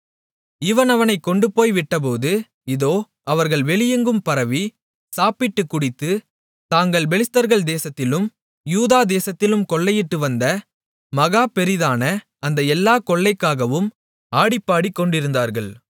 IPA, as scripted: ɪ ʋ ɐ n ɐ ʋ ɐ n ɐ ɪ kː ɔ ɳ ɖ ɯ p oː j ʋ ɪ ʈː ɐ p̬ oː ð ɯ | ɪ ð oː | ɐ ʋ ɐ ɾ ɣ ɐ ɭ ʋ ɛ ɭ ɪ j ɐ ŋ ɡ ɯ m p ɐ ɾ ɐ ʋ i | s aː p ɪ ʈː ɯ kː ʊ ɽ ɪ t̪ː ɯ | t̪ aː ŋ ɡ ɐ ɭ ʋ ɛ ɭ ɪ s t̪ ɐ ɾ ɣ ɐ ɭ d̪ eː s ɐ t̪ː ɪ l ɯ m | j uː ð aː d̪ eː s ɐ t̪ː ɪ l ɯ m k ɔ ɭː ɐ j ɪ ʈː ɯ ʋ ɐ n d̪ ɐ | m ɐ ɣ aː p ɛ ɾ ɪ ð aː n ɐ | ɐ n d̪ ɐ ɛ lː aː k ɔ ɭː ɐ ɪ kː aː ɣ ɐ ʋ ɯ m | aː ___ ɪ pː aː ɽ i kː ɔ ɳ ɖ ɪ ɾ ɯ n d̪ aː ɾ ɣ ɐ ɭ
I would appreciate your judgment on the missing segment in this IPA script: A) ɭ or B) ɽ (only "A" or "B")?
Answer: B